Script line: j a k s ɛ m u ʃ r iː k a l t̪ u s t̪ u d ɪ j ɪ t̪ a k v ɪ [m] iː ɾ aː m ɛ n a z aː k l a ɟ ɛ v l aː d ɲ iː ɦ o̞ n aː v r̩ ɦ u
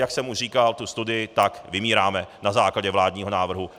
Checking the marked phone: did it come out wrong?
no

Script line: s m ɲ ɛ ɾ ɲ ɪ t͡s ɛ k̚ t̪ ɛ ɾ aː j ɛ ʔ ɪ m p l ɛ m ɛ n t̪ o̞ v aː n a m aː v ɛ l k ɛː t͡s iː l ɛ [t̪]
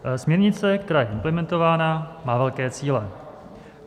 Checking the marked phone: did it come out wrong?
yes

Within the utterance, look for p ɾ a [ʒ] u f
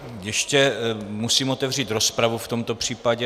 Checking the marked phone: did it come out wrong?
yes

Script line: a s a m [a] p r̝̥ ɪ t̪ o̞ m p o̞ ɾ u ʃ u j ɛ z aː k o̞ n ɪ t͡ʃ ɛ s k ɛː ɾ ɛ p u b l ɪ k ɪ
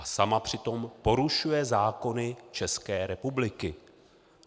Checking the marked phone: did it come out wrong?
no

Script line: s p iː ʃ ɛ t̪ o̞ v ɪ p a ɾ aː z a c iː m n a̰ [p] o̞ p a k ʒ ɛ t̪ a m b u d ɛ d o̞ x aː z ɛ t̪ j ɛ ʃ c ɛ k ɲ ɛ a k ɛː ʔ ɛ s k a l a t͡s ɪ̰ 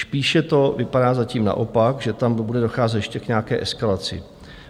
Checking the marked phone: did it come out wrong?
yes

